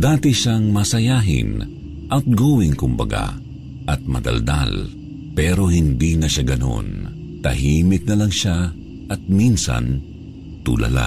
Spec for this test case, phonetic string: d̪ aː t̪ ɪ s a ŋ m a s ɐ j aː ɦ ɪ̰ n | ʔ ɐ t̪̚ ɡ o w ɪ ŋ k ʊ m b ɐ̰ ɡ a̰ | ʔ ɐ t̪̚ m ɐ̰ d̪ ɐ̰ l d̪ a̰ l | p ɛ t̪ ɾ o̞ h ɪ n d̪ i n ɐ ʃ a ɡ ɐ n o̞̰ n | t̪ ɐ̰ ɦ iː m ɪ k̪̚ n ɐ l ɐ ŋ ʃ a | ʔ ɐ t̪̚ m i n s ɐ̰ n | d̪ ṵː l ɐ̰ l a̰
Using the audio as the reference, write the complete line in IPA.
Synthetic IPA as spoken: d̪ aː t̪ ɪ ʃ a ŋ m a s ɐ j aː ɦ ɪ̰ n | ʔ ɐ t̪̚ ɡ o w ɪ ŋ k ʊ m b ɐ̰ ɡ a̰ | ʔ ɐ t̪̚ m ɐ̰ d̪ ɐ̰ l d̪ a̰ l | p ɛ ɾ o̞ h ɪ n d̪ i n ɐ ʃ a ɡ ɐ n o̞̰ n | t̪ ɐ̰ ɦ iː m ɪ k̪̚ n ɐ l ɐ ŋ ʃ a | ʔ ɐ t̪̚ m i n s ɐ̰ n | t̪ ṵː l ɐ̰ l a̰